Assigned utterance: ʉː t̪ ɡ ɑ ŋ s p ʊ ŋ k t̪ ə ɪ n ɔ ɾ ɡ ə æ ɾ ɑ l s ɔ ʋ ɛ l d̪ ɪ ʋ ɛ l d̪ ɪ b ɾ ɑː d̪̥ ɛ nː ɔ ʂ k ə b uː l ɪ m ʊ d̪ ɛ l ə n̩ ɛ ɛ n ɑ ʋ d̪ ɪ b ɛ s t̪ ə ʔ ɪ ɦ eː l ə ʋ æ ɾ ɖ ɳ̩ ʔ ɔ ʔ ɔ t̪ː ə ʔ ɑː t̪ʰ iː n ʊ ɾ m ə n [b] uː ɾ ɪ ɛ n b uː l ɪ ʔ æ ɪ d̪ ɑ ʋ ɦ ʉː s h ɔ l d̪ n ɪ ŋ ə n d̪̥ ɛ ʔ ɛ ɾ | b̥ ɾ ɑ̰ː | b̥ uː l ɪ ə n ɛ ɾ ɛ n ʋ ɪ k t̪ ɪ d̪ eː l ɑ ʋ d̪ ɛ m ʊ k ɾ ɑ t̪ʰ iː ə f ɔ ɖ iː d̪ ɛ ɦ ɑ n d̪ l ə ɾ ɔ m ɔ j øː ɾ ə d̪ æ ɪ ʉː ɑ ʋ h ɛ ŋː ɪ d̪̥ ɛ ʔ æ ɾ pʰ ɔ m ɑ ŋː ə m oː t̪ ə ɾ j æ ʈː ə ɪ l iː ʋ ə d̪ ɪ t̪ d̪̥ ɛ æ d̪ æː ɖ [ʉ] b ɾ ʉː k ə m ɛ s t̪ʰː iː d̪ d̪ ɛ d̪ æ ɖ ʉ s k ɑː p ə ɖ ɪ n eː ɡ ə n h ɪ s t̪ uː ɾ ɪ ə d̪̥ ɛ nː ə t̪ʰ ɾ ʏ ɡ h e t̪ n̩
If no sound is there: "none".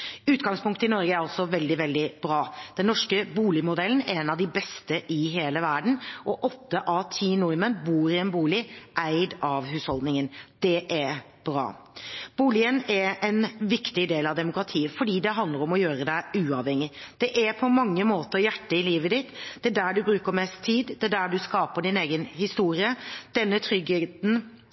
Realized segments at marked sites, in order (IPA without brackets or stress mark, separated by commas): b, ʉ